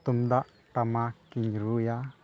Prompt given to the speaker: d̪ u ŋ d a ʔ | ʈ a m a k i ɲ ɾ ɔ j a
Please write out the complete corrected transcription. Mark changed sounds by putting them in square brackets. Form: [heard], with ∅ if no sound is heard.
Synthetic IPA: [t̪] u [m] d a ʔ | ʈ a m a k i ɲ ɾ [u] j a